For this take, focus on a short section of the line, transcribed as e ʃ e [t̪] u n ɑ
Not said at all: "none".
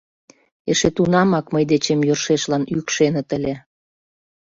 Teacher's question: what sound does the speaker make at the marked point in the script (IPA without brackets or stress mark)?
t̪